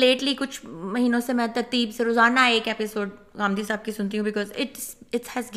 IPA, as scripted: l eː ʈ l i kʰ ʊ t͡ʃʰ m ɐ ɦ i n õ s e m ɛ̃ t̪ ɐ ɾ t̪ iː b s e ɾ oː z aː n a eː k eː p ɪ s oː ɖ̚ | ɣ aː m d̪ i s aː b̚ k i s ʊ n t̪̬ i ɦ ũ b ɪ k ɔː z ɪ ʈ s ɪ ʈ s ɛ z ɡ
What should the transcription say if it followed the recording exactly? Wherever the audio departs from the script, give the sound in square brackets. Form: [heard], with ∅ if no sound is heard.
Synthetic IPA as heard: l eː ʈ l i [k] ʊ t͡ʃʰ m ɐ ɦ [iː] n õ s e m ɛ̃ t̪ ɐ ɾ t̪ iː b s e ɾ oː z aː n a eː k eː p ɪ s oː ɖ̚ | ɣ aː m d̪ i s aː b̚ k i s ʊ n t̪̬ i ɦ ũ b ɪ k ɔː z ɪ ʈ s ɪ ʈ [h] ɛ z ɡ